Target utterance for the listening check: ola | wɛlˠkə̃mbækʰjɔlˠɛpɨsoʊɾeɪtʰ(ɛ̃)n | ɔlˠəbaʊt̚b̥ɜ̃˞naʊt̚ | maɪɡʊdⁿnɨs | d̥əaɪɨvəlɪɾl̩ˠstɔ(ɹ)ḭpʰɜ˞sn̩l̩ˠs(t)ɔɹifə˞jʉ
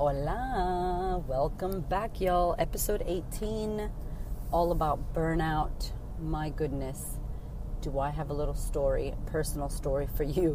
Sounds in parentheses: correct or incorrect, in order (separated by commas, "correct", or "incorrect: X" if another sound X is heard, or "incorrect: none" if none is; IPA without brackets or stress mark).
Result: incorrect: ĩ, correct, correct